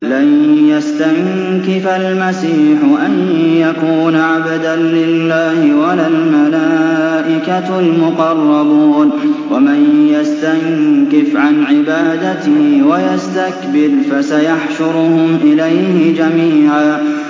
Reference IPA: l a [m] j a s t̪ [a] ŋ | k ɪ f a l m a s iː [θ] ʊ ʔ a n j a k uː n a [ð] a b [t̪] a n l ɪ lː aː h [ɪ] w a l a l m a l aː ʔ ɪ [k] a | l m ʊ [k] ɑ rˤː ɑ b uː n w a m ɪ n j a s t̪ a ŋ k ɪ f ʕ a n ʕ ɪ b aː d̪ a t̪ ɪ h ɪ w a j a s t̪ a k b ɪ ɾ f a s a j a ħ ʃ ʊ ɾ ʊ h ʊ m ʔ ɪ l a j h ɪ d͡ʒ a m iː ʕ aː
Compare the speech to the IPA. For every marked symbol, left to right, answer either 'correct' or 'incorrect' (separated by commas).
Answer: incorrect, correct, incorrect, incorrect, incorrect, correct, correct, incorrect